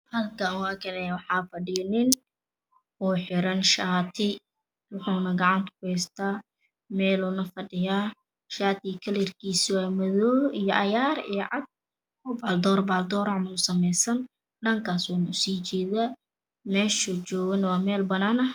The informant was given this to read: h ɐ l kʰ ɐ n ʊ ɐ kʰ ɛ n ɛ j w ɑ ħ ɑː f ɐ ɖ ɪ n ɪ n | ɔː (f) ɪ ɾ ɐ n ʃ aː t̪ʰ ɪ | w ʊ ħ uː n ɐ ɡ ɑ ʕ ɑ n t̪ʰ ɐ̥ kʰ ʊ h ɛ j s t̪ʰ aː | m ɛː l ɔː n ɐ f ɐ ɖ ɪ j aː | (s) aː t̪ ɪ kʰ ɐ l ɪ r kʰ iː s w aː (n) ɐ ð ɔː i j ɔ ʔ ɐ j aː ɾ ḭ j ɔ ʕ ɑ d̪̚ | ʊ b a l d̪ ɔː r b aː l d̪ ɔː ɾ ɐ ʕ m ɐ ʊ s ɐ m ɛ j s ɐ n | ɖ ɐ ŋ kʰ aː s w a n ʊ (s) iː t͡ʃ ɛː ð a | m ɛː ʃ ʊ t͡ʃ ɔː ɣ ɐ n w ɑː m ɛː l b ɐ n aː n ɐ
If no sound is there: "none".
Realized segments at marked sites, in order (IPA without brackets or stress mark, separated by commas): ħ, ʃ, m, s